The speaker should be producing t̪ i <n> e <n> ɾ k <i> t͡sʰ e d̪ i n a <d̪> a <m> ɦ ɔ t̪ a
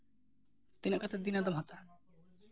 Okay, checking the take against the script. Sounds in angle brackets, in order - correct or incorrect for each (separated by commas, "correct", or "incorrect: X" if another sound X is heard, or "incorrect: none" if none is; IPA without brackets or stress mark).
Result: correct, incorrect: none, incorrect: a, correct, correct